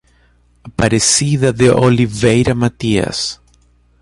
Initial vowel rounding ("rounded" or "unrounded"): unrounded